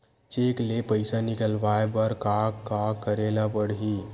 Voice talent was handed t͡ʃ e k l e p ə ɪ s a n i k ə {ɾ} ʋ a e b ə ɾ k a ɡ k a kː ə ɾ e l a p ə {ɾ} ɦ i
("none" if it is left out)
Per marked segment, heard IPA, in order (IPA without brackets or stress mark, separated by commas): l, ɽ